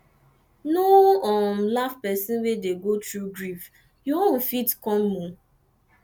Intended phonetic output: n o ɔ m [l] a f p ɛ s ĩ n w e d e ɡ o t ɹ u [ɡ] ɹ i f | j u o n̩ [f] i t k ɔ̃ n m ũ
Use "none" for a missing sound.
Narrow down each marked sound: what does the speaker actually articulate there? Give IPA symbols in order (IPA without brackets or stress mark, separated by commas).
l, ɡ, f